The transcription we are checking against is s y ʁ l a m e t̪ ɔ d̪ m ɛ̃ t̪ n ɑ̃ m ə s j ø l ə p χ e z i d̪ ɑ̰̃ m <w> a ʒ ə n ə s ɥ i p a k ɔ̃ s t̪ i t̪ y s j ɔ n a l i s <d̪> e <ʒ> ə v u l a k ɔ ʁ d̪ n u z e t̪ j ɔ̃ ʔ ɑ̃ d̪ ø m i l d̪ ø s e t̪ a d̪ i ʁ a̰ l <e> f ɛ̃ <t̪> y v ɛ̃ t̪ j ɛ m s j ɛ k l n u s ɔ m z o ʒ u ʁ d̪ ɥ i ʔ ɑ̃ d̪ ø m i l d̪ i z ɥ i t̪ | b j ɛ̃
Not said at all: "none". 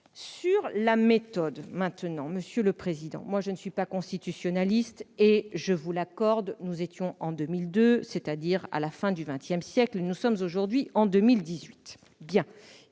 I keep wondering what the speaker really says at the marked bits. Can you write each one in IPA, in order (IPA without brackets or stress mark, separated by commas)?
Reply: w, t̪, ʒ, a, d̪